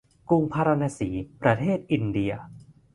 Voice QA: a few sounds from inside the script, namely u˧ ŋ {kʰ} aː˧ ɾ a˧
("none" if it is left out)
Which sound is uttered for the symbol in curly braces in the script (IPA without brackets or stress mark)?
pʰ